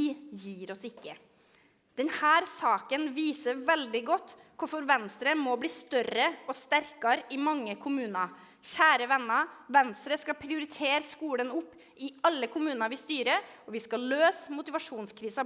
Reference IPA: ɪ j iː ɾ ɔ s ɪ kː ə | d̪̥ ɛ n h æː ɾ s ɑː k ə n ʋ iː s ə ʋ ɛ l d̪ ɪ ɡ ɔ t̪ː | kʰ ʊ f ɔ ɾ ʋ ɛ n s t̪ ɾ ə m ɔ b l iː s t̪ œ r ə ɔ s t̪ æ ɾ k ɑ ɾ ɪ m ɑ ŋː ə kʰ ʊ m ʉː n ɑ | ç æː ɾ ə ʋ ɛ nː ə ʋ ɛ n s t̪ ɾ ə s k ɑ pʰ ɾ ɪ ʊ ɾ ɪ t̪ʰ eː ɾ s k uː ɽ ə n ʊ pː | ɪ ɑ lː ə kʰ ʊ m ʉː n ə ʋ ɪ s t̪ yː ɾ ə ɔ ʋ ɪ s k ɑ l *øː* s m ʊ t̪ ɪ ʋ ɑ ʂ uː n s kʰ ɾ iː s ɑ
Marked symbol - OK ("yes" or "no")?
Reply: yes